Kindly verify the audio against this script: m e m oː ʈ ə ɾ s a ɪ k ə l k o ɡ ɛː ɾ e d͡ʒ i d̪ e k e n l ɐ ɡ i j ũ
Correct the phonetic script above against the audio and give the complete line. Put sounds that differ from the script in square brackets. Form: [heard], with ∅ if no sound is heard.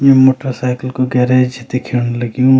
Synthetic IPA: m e m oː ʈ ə ɾ s a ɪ k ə l k o ɡ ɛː ɾ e d͡ʒ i [t̪] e [kʰ] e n l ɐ ɡ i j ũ